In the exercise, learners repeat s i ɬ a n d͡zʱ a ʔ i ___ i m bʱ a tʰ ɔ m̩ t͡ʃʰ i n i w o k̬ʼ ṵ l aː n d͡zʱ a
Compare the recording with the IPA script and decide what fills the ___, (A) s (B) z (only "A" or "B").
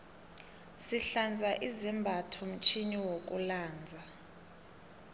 B